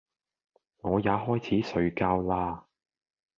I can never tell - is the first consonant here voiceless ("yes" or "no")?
no